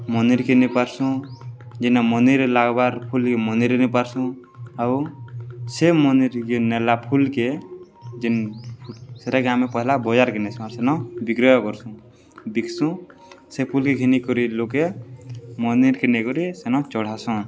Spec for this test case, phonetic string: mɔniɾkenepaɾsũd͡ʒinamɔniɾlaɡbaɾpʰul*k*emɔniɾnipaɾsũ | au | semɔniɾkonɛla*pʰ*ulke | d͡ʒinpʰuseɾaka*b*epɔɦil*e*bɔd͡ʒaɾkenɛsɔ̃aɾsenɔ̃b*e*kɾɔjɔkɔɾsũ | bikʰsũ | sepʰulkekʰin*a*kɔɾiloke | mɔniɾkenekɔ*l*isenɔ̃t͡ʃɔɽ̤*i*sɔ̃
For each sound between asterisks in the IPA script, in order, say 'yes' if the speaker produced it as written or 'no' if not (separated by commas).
yes, yes, no, no, no, no, no, no